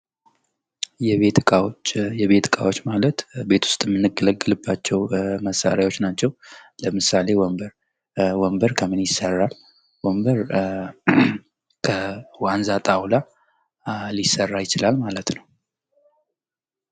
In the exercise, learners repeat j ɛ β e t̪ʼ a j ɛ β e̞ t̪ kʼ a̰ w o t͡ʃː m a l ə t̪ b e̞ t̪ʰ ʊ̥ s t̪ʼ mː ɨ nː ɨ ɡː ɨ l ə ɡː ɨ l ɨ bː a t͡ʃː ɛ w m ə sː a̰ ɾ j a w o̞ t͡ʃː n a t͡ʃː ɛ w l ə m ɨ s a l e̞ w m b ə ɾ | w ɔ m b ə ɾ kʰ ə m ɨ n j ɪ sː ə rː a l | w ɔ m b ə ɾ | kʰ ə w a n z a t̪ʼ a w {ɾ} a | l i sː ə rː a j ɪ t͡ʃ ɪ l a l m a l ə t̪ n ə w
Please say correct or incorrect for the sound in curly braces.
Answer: incorrect